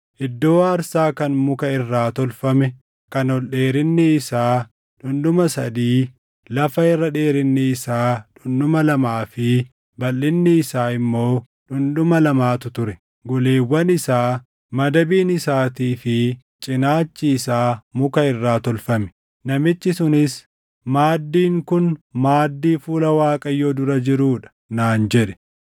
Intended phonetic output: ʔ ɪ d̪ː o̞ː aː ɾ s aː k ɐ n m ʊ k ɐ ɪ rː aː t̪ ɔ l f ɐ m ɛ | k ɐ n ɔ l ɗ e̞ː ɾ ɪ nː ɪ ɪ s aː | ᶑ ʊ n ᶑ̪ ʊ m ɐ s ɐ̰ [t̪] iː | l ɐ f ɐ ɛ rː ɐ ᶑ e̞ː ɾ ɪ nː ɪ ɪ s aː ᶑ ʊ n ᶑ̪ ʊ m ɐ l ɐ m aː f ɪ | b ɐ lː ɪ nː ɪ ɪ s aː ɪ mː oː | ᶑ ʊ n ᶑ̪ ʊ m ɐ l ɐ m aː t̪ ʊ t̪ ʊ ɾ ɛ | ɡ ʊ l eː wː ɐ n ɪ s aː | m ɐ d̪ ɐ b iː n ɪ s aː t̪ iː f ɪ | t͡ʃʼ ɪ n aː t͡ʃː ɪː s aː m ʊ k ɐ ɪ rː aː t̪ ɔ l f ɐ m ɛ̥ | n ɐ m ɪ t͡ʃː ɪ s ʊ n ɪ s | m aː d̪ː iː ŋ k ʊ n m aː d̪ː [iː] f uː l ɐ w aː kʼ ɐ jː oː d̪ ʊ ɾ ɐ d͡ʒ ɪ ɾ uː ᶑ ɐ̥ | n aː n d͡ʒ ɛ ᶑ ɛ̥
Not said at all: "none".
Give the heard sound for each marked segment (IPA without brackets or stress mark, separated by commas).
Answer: d̪, iː